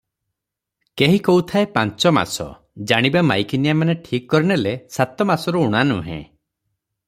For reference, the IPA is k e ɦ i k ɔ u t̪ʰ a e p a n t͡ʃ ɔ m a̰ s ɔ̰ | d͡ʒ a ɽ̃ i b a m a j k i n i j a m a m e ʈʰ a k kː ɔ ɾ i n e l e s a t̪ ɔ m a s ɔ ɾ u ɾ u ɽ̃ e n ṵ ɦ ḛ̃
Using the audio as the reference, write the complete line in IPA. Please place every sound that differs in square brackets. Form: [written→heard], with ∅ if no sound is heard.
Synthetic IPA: k e ɦ i k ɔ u t̪ʰ a e p a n t͡ʃ ɔ m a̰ s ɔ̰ | d͡ʒ a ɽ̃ i b a m a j k i n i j a m a [m→n] e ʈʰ [a→i] k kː ɔ ɾ i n e l e s a t̪ ɔ m a s ɔ ɾ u [ɾ→∅] u ɽ̃ [e→a] n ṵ ɦ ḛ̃